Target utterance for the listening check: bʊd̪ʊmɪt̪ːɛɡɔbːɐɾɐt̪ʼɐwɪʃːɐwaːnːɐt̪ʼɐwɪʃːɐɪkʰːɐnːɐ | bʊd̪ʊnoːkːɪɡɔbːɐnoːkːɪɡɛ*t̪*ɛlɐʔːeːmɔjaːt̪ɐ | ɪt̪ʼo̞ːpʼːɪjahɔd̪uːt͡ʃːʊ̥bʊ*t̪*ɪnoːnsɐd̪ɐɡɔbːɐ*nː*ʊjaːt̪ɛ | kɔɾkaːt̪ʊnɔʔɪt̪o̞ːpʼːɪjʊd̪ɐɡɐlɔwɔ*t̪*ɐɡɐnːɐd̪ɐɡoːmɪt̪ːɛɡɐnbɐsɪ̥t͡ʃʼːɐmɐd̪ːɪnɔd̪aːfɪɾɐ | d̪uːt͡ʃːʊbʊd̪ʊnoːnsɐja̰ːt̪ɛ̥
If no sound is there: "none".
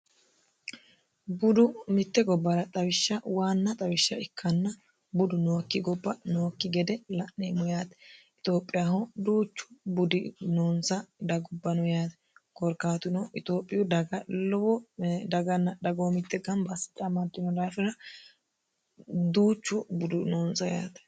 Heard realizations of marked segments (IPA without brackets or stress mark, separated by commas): d̪, d̪, n, d̪